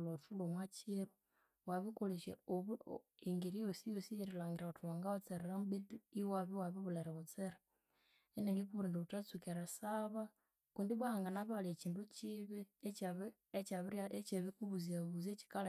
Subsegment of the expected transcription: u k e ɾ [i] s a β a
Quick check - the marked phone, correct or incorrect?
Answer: incorrect